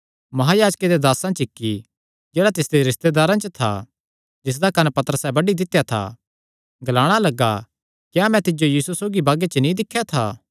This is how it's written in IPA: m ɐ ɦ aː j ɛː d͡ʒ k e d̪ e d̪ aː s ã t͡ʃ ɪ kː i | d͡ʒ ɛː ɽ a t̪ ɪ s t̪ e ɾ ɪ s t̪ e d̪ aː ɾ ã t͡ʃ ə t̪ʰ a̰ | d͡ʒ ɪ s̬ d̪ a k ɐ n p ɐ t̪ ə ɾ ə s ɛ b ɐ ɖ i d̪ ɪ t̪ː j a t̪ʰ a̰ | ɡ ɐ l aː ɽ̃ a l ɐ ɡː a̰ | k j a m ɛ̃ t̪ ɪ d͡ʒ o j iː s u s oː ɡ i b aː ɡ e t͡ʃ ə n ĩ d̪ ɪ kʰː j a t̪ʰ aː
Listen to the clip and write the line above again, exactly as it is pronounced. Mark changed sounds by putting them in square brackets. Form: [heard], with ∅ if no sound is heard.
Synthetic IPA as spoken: m ɐ ɦ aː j [aː] d͡ʒ k e d̪ e d̪ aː s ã t͡ʃ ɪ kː i | d͡ʒ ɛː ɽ a t̪ ɪ s [d̪] e ɾ ɪ s t̪ e d̪ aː ɾ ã t͡ʃ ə t̪ʰ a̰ | d͡ʒ ɪ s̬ d̪ a k ɐ n p ɐ t̪ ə ɾ ə s ɛ b ɐ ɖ i d̪ ɪ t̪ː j a t̪ʰ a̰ | ɡ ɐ l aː ɽ̃ a l ɐ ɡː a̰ | k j a m ɛ̃ t̪ ɪ d͡ʒ o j iː s u s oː ɡ i b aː ɡ e t͡ʃ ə n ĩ d̪ ɪ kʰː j a t̪ʰ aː